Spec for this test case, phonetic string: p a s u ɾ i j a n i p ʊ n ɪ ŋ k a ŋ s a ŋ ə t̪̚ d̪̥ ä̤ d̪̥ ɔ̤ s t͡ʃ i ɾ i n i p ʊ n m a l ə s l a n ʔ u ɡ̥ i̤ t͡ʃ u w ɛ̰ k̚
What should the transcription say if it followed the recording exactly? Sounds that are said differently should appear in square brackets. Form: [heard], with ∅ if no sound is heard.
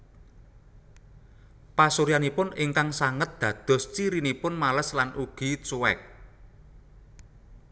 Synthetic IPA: p a s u ɾ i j a n i p ʊ n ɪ ŋ k a ŋ s a ŋ ə t̪̚ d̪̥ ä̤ d̪̥ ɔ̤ s t͡ʃ i ɾ i n i p ʊ n m a l ə s l a n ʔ u ɡ̥ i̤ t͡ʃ u w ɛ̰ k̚